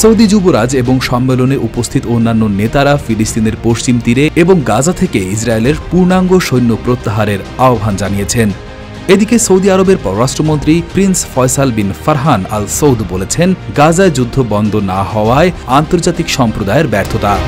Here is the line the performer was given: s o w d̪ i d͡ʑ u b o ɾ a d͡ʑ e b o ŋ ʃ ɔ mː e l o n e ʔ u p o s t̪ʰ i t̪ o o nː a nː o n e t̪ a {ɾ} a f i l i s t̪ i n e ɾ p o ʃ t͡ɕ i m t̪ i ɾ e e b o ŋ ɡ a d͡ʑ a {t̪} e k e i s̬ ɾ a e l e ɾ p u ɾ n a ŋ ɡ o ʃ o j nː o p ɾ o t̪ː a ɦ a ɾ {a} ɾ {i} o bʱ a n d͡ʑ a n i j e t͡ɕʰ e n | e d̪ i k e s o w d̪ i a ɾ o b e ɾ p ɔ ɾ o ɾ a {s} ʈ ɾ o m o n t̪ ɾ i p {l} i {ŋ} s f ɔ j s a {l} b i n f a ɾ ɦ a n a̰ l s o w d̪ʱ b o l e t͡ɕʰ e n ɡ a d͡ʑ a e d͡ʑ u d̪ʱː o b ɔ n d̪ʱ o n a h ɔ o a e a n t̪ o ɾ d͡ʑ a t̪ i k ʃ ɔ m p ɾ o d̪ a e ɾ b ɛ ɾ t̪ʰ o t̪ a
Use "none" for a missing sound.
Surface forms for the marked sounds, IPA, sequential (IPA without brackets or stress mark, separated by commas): ɾ, t̪ʰ, e, a, ʃ, ɾ, n, l